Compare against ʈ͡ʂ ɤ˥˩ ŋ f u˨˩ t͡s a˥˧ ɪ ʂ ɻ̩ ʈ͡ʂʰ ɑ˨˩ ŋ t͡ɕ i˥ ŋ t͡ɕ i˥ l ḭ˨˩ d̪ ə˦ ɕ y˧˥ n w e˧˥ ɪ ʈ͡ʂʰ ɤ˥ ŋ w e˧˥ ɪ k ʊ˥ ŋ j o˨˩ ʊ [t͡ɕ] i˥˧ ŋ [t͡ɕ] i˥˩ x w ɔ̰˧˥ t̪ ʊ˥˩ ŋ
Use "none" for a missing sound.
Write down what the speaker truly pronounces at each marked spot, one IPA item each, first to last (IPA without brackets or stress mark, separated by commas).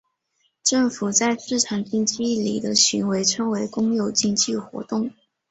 t͡ɕ, t͡ɕ